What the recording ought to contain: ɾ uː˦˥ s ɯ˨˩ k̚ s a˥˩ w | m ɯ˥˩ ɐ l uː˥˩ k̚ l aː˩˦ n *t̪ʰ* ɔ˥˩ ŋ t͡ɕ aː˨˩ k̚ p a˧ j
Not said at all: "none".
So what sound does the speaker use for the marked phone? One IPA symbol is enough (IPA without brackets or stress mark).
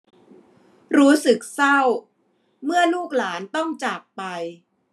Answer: t̪